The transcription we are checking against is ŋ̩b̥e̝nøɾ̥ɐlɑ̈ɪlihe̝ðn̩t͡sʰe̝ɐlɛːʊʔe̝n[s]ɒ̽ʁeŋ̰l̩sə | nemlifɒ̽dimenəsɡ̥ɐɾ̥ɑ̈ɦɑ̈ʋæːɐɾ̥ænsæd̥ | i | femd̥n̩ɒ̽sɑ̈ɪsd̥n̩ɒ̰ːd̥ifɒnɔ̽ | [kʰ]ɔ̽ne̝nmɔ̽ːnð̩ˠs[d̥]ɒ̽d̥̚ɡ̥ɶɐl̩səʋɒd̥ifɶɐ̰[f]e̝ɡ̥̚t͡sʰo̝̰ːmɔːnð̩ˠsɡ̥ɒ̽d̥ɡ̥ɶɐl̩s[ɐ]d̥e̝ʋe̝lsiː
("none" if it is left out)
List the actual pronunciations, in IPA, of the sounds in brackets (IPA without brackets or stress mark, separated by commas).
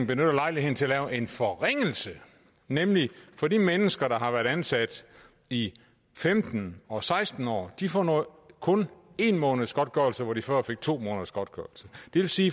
f, kʰ, ɡ̥, f, ə